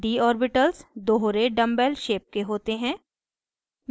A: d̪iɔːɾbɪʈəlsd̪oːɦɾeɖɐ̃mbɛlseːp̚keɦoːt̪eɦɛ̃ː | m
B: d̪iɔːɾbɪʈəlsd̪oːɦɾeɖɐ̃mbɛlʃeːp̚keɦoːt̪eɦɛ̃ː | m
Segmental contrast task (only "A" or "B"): B